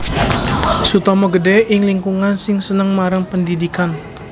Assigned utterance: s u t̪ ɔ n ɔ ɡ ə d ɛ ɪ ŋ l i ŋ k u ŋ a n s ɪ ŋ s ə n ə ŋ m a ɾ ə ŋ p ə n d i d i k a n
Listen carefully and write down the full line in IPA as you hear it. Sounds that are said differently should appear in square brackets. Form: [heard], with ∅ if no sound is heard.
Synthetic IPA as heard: s u t̪ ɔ [m] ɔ ɡ ə d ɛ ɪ ŋ l i ŋ k u ŋ a n s ɪ ŋ s ə n ə ŋ m a ɾ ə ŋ p ə n d i d i k a n